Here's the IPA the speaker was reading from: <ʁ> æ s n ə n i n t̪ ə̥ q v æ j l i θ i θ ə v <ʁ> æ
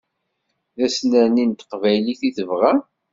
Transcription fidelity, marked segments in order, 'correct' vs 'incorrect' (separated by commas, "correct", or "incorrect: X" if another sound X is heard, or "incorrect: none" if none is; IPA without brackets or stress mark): incorrect: ð, correct